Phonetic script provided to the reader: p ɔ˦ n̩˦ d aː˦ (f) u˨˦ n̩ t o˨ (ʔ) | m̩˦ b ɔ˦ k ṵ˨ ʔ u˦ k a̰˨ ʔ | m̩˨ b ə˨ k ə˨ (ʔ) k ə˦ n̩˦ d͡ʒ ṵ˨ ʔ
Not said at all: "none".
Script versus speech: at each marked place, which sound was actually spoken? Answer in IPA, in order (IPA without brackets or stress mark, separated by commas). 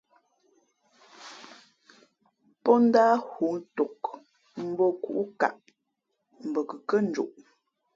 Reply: h, k, none